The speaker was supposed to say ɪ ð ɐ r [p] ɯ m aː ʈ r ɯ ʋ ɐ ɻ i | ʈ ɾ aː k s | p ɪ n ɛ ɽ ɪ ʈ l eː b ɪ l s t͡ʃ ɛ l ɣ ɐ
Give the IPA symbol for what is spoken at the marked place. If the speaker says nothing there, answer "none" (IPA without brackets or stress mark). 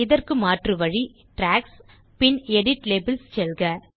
k